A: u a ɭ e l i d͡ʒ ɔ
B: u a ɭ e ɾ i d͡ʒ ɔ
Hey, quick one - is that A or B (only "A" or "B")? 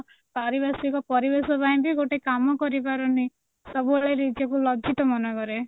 B